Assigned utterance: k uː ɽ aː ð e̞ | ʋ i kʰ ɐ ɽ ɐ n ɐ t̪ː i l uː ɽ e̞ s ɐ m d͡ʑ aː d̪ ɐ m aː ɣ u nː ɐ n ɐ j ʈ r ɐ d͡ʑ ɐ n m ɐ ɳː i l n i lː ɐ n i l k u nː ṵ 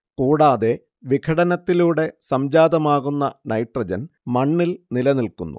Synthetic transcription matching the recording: k uː ɽ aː ð e̞ | ʋ i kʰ ɐ ɽ ɐ n ɐ t̪ː i l uː ɽ e̞ s ɐ m d͡ʑ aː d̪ ɐ m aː ɣ u nː ɐ n ɐ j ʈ r ɐ d͡ʑ ɐ n m ɐ ɳː i l n i l ɐ n i l k u nː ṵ